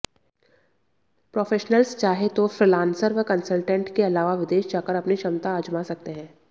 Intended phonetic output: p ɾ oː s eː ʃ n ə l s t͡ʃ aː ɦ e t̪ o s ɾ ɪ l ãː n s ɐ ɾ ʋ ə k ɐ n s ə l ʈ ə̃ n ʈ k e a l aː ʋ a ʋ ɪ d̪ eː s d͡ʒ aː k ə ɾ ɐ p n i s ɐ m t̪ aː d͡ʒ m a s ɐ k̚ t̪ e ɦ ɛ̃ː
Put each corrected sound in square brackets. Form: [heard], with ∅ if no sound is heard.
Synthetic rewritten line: p ɾ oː [f] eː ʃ n ə l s t͡ʃ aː ɦ e t̪ o [f] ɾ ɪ l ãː n s [ə] ɾ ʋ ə k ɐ n s ə l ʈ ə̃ [ɳ] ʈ k e [ɐ] l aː ʋ a ʋ ɪ d̪ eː [ʃ] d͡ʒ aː k ə ɾ ɐ p n i [ʃ] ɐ m t̪ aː d͡ʒ m a s ɐ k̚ t̪ e ɦ ɛ̃ː